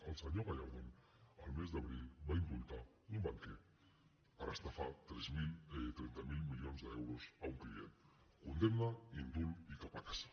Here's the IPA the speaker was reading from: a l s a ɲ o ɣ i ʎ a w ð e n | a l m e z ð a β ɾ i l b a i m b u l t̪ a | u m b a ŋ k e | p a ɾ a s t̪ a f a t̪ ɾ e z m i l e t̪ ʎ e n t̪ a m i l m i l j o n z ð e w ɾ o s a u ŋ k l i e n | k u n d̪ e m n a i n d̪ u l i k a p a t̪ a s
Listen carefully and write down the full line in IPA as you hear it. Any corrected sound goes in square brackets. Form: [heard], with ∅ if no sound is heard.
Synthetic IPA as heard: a l s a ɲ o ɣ [a] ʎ a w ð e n | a l m e z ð a β ɾ i l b a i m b u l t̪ a | u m b a ŋ k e | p a ɾ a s t̪ a f a t̪ ɾ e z m i l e t̪ [ɾ] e n t̪ a m i l m i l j o n z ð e w ɾ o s a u ŋ k l i e n | k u n d̪ e m n a i n d̪ u l i k a p a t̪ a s